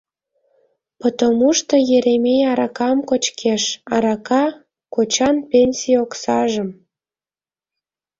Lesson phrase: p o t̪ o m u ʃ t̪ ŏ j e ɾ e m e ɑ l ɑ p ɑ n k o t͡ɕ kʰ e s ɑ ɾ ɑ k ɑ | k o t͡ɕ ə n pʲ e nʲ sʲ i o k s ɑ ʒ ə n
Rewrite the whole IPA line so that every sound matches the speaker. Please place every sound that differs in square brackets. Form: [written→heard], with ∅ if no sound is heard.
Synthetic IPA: p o t̪ o m u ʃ t̪ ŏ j e ɾ e m e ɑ [l→ɾ] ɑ [p→k] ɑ [n→m] k o t͡ɕ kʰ e [s→ʃ] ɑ ɾ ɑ k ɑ | k o t͡ɕ [ə→ɑ] n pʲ e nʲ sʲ i o k s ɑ ʒ ə [n→m]